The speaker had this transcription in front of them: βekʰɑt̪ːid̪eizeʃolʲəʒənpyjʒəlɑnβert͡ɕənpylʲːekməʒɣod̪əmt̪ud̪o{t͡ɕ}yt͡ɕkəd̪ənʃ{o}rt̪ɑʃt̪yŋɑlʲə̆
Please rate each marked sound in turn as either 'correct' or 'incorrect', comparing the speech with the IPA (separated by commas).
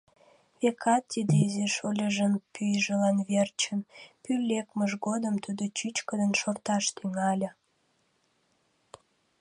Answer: correct, correct